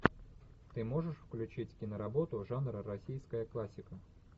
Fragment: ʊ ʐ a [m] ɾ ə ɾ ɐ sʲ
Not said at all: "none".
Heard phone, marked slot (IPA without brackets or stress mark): n